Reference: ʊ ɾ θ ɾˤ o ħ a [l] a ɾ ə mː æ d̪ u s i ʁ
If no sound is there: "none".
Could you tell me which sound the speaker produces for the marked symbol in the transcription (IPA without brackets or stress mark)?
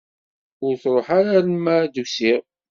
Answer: ɾ